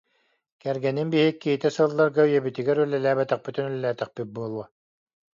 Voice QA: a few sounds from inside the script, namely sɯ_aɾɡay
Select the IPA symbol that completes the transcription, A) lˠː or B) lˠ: A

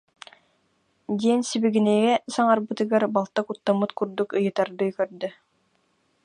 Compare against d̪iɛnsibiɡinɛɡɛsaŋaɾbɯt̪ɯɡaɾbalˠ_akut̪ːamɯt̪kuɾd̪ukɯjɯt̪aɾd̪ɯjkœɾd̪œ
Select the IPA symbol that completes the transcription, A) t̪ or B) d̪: A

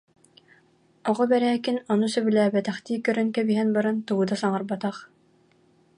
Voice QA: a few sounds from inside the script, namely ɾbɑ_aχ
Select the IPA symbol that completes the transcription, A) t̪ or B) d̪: A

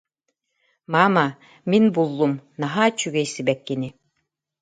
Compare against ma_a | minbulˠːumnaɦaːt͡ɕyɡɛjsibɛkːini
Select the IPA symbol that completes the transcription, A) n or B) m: B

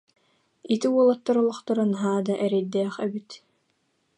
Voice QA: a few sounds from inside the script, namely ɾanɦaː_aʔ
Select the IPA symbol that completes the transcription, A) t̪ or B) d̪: B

